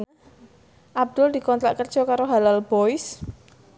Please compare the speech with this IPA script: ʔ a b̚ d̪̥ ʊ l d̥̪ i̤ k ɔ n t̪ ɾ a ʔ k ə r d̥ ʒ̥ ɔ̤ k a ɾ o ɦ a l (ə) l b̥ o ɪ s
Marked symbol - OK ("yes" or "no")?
no